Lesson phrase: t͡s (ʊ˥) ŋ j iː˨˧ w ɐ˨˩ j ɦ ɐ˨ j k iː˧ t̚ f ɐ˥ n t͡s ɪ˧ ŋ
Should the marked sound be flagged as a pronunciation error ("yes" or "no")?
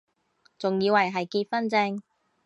yes